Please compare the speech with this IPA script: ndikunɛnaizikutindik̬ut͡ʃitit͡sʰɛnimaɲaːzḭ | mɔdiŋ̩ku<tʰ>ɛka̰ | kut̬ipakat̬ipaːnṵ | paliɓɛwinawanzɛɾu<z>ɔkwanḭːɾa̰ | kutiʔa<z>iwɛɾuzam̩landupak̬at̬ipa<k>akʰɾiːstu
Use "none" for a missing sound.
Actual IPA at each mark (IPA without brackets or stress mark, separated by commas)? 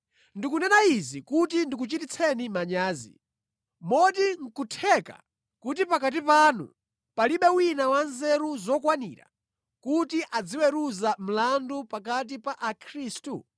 tʰ, z, d͡z, ʔ